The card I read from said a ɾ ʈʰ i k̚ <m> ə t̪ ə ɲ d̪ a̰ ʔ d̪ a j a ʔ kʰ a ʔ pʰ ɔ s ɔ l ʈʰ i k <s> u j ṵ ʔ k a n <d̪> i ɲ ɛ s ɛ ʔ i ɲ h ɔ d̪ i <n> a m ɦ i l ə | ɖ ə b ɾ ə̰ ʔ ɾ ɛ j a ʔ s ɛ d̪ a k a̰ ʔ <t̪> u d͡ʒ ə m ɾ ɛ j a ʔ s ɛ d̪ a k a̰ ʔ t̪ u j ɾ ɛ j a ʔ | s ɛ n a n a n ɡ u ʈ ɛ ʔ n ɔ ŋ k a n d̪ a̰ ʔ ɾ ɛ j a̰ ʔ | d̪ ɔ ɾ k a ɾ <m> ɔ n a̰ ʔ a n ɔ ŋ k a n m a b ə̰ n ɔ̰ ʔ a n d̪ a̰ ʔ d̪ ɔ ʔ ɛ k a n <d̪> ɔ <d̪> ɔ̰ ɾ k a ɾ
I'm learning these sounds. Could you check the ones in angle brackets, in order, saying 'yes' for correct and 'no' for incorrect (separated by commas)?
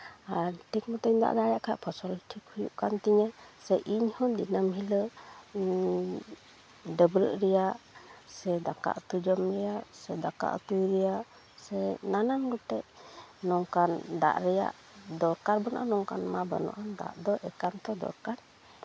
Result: yes, no, no, yes, yes, no, no, yes